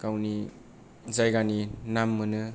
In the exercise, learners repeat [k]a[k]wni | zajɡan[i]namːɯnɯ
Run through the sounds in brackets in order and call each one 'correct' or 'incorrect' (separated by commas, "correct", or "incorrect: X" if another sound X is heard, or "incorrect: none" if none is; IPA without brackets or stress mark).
correct, incorrect: none, correct